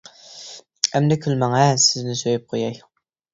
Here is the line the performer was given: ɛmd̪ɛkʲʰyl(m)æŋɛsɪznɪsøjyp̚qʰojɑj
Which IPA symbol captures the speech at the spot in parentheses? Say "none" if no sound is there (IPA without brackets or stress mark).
m